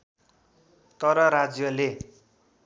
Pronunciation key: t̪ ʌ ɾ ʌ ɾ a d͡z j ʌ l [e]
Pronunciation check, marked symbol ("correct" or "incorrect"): correct